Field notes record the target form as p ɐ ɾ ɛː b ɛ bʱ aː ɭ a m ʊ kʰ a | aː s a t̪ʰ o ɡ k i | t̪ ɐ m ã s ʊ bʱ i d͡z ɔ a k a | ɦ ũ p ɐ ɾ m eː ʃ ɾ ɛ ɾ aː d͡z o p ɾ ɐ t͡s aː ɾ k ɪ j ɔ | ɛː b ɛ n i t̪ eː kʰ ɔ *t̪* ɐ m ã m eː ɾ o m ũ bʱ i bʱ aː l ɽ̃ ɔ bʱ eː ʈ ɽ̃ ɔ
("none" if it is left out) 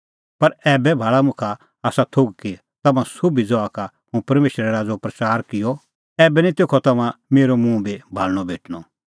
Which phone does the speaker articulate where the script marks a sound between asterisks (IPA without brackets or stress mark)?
t̪